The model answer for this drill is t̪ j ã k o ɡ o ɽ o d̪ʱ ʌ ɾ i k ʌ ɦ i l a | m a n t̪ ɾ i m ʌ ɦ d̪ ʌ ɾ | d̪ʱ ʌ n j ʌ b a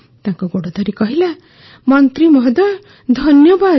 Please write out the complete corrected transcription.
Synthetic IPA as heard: t̪ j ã k o ɡ o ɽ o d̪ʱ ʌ ɾ i k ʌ ɦ i l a | m ʌ n t̪ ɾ i m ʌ ɦ d̪ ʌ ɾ | d̪ʱ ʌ n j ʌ b a